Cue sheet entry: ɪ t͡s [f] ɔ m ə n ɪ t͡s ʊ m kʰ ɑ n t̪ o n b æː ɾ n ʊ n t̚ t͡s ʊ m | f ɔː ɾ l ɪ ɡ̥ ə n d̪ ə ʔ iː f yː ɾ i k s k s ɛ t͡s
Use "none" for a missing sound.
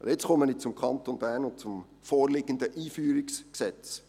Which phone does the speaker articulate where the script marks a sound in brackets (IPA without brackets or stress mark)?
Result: χ